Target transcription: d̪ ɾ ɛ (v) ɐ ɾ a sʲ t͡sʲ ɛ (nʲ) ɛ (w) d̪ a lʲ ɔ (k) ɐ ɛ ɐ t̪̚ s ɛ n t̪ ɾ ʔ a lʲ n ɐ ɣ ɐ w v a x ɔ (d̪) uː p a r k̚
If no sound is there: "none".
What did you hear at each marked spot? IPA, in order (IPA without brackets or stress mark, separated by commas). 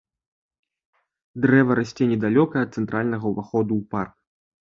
v, nʲ, none, k, d̪